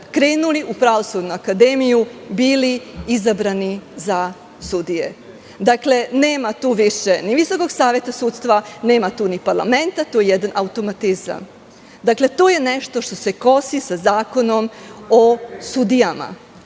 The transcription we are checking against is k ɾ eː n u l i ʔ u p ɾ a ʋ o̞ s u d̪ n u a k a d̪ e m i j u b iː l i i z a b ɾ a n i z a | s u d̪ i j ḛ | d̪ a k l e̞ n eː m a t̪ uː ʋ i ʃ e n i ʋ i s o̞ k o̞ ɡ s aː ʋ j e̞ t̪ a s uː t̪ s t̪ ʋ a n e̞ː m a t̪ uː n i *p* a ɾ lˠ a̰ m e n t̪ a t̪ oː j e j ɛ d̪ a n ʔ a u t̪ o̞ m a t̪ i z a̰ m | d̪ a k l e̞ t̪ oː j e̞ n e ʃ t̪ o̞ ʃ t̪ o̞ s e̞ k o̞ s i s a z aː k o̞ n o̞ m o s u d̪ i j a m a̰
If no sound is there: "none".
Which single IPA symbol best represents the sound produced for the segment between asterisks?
p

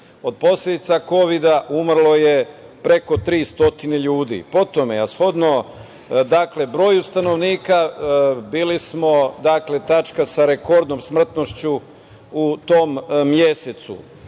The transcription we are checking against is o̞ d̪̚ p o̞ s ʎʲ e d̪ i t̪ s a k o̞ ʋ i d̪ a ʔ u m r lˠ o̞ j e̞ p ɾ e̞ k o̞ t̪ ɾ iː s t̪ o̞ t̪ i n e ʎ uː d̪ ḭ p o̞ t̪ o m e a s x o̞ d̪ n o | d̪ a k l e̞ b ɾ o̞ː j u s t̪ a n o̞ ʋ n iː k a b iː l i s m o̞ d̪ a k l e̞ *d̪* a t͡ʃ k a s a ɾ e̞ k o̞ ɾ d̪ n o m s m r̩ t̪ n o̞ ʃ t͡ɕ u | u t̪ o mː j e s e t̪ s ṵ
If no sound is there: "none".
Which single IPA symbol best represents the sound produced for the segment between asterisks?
t̪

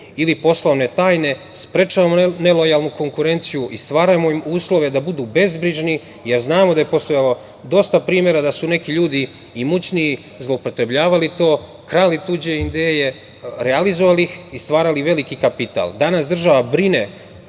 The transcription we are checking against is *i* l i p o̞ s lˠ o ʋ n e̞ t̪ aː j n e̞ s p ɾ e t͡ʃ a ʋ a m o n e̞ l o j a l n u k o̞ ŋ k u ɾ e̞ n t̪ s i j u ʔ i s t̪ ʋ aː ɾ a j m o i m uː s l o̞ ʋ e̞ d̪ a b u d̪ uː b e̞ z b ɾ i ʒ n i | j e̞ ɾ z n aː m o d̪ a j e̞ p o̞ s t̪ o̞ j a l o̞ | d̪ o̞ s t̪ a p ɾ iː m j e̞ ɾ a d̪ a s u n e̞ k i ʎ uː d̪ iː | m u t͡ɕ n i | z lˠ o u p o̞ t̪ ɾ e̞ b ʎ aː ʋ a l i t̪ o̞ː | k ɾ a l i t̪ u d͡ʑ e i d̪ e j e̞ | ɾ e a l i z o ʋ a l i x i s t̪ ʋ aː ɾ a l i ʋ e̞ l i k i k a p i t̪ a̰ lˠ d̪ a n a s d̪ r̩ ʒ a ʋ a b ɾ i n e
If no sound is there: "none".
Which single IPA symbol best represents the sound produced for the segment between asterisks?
i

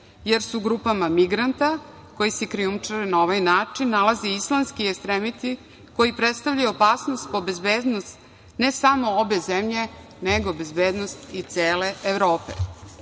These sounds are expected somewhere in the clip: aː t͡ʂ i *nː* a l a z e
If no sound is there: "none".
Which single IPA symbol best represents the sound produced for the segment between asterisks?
nː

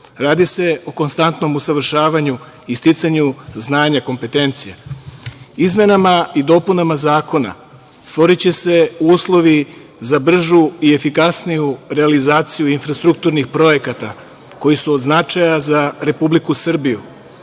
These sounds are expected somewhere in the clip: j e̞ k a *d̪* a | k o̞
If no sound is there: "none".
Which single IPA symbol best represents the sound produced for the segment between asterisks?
t̪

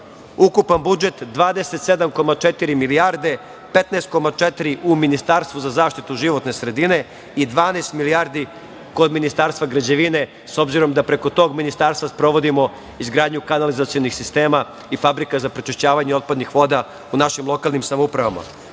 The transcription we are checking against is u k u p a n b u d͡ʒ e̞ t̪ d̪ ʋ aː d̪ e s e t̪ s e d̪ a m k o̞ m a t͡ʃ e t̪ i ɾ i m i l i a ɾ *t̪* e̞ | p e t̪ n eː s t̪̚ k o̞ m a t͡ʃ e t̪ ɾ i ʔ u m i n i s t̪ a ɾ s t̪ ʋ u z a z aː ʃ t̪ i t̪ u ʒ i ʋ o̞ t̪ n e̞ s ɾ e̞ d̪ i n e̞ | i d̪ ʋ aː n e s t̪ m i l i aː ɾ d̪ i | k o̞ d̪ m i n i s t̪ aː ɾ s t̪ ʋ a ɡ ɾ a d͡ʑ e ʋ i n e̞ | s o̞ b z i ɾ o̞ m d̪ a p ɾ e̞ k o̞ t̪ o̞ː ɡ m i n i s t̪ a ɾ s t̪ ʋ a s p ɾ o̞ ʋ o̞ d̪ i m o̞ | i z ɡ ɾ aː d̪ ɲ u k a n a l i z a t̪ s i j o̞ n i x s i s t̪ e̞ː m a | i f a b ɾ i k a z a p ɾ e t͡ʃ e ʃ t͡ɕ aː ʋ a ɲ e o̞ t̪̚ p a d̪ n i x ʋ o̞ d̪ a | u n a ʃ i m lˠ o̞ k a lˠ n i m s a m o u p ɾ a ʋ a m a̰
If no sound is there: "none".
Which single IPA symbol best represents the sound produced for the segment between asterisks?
d̪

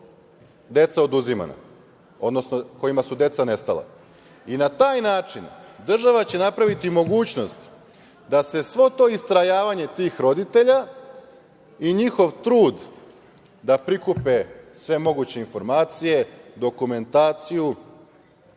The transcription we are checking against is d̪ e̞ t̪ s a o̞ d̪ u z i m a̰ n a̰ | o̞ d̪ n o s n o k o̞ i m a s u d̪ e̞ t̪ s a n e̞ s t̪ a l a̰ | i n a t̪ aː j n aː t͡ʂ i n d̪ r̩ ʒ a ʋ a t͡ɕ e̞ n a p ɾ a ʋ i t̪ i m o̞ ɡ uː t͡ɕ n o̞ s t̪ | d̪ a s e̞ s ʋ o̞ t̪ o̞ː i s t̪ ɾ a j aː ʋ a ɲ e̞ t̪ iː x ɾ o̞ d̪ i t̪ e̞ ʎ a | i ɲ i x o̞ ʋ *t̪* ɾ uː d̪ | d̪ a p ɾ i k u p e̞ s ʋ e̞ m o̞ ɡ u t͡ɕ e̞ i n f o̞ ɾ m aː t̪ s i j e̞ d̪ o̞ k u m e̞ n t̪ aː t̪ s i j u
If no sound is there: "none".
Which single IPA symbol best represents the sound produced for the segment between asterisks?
t̪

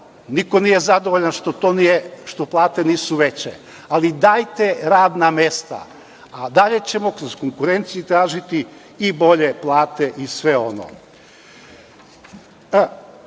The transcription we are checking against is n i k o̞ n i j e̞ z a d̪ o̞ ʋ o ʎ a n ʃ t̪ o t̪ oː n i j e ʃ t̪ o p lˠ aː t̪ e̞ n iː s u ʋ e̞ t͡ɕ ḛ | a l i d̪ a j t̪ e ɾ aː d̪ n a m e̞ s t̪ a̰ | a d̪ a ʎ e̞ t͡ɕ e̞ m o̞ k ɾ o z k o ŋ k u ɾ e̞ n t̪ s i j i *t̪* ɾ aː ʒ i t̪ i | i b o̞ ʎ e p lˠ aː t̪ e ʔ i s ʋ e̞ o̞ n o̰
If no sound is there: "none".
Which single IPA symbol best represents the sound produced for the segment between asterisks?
t̪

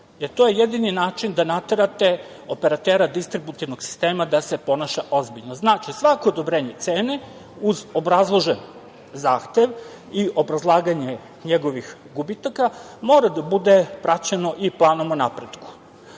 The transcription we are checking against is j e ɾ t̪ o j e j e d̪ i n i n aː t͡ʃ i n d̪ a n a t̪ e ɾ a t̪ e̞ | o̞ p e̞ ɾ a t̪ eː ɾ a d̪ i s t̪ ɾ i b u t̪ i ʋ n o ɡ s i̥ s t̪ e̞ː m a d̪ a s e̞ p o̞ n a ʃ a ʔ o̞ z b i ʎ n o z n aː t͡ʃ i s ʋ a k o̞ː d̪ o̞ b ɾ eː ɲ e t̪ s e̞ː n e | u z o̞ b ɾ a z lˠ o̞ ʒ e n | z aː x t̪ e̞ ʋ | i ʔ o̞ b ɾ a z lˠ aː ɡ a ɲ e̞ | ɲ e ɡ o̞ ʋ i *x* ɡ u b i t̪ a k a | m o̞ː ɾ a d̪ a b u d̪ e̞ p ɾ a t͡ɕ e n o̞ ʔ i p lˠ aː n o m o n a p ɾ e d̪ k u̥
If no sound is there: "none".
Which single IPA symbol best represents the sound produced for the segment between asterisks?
x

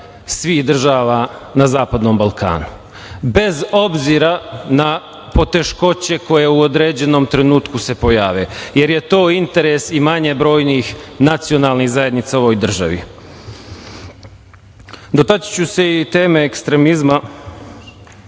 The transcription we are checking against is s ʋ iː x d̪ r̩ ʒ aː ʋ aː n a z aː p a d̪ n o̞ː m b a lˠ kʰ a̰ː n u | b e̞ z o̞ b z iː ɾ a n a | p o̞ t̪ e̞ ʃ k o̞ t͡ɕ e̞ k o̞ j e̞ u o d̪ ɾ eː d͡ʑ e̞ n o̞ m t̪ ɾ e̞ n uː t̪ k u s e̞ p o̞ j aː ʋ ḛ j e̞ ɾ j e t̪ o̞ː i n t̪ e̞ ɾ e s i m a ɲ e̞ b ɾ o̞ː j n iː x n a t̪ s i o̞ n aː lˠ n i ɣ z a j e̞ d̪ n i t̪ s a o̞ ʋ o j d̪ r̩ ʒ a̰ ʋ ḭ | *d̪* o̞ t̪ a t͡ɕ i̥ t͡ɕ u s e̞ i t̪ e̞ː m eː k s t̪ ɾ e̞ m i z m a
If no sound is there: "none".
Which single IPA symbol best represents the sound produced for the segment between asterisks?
d̪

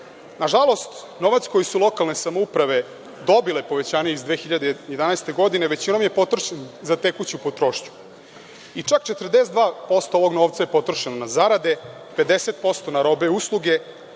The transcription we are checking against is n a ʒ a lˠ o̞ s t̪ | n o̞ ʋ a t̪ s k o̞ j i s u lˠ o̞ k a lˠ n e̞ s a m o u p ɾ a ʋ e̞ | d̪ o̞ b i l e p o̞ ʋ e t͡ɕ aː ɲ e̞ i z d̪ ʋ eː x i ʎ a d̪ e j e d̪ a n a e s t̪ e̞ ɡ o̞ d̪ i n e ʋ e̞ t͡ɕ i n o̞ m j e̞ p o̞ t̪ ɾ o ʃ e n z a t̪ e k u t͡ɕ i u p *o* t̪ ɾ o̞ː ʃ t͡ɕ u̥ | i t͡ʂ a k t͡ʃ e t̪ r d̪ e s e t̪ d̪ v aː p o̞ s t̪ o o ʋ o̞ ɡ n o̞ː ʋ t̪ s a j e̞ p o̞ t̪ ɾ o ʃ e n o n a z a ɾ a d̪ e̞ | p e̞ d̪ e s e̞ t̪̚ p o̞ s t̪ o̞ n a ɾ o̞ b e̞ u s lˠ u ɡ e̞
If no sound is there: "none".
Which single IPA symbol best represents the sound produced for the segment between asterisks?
o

